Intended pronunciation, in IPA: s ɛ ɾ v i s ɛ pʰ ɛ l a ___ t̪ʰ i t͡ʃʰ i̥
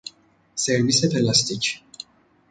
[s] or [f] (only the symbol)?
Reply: s